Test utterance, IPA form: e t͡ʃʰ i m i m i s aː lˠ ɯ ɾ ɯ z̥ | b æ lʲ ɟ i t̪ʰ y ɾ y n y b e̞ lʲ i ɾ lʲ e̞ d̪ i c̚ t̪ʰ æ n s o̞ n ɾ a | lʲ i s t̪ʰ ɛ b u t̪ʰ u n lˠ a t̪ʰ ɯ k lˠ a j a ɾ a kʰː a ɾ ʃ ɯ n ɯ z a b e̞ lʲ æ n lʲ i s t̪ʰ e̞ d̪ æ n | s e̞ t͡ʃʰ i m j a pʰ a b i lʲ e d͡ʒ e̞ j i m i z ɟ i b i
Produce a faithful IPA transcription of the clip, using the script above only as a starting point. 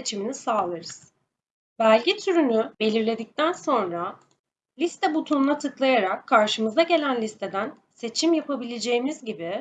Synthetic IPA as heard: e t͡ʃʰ i m i n i s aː lˠ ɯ ɾ ɯ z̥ | b æ lʲ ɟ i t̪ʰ y ɾ y n y b e̞ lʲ i ɾ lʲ e̞ d̪ i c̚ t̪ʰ æ n s o̞ n ɾ a | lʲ i s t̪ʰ ɛ b u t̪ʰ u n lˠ a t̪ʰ ɯ k lˠ a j a ɾ a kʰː a ɾ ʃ ɯ m ɯ z a ɟ e̞ lʲ æ n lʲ i s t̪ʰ e̞ d̪ æ n | s e̞ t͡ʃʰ i m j a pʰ a b i lʲ e d͡ʒ e̞ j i m i z ɟ i b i